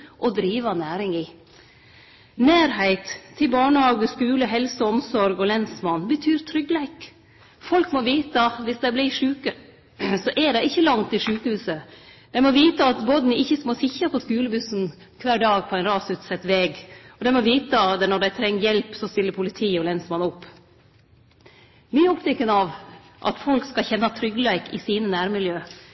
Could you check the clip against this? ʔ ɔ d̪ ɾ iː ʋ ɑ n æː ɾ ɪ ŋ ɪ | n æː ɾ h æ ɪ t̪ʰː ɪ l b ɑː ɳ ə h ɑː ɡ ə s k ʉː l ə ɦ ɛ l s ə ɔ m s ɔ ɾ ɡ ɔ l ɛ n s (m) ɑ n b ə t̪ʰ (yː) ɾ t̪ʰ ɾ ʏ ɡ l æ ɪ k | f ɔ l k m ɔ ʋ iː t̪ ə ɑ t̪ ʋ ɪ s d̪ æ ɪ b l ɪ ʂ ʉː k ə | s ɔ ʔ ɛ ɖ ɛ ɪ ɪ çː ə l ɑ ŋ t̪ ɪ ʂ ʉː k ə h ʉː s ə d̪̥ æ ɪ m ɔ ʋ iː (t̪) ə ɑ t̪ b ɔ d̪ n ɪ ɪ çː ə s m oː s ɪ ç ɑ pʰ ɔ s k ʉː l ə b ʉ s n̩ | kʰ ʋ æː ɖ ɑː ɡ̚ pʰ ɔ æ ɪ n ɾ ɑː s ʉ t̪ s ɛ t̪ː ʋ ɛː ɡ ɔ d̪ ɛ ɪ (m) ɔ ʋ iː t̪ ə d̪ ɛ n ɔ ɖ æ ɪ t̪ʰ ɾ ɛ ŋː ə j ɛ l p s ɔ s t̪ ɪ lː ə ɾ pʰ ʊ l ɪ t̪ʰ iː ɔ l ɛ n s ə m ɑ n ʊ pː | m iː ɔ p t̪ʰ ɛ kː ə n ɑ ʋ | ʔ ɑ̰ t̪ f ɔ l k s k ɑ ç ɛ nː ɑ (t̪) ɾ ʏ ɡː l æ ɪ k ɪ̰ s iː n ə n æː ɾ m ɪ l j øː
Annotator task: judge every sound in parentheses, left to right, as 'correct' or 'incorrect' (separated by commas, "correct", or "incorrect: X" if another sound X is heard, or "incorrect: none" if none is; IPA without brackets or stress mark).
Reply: correct, correct, correct, correct, incorrect: t̪ʰ